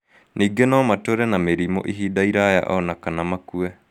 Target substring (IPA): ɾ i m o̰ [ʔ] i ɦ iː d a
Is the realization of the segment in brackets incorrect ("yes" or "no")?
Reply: no